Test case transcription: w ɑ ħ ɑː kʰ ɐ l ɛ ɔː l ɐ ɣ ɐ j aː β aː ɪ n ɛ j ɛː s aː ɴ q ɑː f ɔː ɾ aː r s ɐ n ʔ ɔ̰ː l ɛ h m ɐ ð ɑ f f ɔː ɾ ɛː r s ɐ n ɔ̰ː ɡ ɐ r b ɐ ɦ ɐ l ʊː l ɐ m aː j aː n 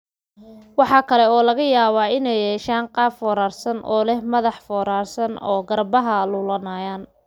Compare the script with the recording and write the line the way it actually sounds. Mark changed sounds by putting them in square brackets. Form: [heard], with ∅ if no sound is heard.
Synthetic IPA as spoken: w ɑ ħ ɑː kʰ ɐ l ɛ ɔː l ɐ ɣ ɐ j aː β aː ɪ n ɛ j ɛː [ʃ] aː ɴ q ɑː f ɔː ɾ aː r s ɐ n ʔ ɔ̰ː l ɛ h m ɐ ð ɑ [ħ] f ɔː ɾ [aː] r s ɐ n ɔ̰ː ɡ ɐ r b ɐ ɦ ɐ l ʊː l ɐ [n] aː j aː n